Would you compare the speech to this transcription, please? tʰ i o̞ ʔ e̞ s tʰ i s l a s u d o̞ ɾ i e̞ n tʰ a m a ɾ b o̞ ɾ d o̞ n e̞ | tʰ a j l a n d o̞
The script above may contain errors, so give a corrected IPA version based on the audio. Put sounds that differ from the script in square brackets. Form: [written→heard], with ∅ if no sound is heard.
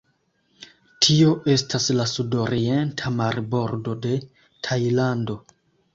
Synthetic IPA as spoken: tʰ i o̞ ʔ e̞ s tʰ [i→a] s l a s u d o̞ ɾ i e̞ n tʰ a m a ɾ b o̞ ɾ d o̞ [n→d] e̞ | tʰ a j l a n d o̞